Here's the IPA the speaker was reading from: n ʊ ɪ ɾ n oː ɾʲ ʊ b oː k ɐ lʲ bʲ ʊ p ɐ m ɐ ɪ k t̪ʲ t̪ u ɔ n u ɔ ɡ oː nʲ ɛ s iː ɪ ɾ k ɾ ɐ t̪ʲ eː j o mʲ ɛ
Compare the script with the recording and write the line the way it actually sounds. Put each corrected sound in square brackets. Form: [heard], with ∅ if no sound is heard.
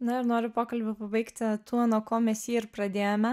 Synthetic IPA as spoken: n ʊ ɪ ɾ n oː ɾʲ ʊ [p] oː k ɐ lʲ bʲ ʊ p ɐ [b] ɐ ɪ k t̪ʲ t̪ u ɔ n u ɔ [k] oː [mʲ] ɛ s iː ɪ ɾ [p] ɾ ɐ [d̪ʲ] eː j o mʲ ɛ